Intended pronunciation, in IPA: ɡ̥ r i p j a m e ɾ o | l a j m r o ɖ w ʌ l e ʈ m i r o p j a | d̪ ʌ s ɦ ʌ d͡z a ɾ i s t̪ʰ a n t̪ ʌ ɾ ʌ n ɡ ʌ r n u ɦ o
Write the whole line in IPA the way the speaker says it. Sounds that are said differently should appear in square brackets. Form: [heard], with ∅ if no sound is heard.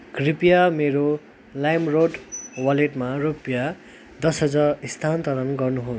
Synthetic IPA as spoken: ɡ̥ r i p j a m e ɾ o | l a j m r o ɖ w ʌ l e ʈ m [a] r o p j a | d̪ ʌ s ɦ ʌ d͡z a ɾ i s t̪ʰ a n t̪ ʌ ɾ ʌ n ɡ ʌ r n u ɦ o